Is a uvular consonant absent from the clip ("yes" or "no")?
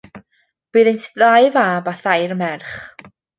no